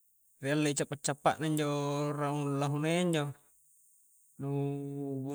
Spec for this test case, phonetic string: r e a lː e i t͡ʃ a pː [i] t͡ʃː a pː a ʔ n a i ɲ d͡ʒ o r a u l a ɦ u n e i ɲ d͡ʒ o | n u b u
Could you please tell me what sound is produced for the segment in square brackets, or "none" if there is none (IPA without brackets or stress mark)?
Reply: a